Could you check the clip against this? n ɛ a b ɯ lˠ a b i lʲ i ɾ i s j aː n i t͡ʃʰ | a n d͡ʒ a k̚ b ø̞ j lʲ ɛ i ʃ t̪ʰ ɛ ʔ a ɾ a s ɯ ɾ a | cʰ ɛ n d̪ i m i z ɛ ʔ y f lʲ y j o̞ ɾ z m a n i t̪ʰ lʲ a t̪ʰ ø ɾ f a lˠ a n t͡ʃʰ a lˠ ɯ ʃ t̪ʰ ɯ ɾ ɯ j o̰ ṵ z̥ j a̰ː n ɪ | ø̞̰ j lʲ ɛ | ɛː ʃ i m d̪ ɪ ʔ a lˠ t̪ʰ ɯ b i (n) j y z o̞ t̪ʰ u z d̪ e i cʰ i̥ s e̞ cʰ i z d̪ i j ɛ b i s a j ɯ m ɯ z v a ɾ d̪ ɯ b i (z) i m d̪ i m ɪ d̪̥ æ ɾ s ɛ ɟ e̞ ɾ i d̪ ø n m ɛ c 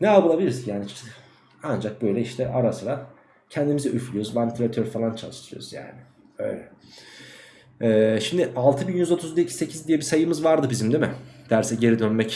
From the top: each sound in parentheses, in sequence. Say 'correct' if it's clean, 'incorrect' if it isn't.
correct, correct

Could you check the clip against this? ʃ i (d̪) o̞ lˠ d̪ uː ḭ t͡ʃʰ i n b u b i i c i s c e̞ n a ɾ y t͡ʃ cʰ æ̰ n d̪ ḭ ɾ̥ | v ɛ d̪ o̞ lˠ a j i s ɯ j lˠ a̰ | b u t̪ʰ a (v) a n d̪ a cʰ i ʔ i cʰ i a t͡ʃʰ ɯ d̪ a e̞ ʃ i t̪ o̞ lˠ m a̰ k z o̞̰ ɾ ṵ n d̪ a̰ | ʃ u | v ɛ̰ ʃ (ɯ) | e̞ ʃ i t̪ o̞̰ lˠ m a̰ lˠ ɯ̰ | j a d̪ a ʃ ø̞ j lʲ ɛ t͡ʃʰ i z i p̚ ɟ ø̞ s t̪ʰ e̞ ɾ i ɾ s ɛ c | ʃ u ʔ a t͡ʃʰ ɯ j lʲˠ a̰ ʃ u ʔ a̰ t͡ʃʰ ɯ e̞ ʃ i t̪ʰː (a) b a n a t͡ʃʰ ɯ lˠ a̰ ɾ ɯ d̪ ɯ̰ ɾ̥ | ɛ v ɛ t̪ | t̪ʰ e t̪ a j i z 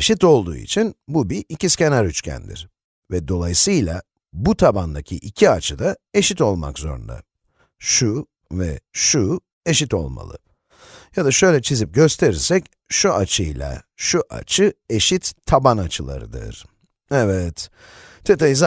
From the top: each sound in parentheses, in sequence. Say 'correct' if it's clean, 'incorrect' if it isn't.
incorrect, incorrect, incorrect, correct

